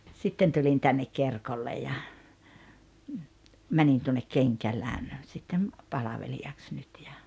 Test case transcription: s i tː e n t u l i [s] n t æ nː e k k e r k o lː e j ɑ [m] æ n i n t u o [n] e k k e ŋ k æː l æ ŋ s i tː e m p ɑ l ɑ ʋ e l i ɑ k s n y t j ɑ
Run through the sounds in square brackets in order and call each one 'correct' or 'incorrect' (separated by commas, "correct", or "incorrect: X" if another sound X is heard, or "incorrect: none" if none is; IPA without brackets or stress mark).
incorrect: none, correct, incorrect: nː